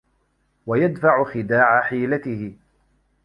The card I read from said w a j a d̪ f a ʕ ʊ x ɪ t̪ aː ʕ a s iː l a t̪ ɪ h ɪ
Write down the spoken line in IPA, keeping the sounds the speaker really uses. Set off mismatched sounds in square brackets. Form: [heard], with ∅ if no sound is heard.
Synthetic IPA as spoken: w a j a d̪ f a ʕ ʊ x ɪ [d̪] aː ʕ a [ħ] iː l a t̪ ɪ h ɪ